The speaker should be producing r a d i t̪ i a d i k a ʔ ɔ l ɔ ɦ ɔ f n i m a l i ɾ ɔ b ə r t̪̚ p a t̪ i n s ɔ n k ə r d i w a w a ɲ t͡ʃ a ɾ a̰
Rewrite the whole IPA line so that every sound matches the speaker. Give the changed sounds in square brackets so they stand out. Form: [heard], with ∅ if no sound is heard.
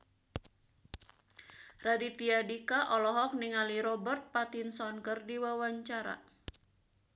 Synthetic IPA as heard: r a d i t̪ i a d i k a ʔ ɔ l ɔ ɦ ɔ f n i [ŋ] a l i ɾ ɔ b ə r t̪̚ p a t̪ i n s ɔ n k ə r d i w a w a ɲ t͡ʃ a ɾ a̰